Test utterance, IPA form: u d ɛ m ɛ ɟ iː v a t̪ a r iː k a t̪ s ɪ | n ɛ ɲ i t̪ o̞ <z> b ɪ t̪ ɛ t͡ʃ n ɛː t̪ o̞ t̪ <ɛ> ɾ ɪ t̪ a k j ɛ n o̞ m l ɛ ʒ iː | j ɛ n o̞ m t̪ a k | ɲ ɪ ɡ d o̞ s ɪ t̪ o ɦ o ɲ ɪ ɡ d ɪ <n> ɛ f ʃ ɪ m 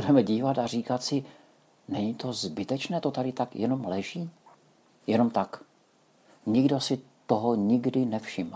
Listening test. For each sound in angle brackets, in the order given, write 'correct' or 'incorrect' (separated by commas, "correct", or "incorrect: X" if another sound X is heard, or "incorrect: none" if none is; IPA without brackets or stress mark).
correct, incorrect: a, correct